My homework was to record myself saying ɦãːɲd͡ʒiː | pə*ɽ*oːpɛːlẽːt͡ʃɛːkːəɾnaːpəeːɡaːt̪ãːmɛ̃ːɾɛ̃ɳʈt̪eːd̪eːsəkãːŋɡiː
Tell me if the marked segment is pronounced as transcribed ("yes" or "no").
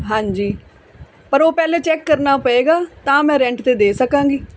no